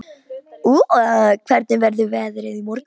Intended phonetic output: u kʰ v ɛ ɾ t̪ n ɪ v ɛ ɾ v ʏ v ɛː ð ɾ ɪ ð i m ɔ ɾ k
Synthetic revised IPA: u kʰ v ɛ ɾ t̪ n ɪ v ɛ ɾ ð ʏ v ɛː ð ɾ ɪ ð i m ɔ ɾ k